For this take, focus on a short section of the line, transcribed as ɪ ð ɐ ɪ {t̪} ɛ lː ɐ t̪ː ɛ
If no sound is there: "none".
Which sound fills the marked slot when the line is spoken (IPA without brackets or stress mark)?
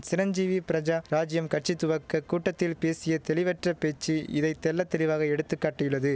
t̪